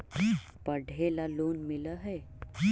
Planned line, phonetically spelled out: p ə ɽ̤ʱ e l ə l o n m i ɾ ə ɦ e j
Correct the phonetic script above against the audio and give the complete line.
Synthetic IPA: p ə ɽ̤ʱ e l a l o n m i l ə ɦ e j